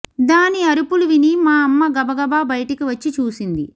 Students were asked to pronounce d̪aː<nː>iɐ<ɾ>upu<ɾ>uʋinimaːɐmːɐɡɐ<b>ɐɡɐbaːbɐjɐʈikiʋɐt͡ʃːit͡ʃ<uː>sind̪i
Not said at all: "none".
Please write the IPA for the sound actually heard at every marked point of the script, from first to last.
n, ɾ, l, b, uː

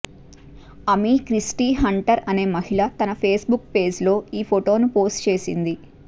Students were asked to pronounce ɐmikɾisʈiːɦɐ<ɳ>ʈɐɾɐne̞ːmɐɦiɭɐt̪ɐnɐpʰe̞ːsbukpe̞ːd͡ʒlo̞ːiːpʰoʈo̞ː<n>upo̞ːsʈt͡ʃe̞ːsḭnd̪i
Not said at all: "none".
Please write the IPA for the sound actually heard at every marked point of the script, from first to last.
ɳ, n

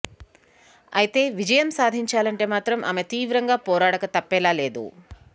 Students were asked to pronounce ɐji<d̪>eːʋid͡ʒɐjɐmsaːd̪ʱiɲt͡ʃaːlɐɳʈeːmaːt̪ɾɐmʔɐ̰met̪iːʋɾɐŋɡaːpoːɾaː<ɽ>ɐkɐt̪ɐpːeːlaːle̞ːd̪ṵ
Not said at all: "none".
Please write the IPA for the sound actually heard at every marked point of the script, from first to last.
t̪, ɽ

